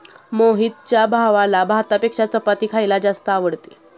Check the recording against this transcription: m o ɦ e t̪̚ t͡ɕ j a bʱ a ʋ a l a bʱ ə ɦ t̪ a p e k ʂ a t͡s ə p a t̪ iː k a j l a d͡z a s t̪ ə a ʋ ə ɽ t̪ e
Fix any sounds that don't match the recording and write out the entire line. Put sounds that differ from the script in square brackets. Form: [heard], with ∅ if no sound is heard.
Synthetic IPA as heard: m o ɦ [i] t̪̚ t͡ɕ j a bʱ a ʋ a l a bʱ [a] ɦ t̪ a p e k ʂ a t͡s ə p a t̪ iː [kʰ] a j l a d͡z a s t̪ ə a ʋ ə ɽ t̪ e